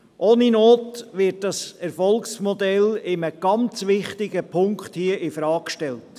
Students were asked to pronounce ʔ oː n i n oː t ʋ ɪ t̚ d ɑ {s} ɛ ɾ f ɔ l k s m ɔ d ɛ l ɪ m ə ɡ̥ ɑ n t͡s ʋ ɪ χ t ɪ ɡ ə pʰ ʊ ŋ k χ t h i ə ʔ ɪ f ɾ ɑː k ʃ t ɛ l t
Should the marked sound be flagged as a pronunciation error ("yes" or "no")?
no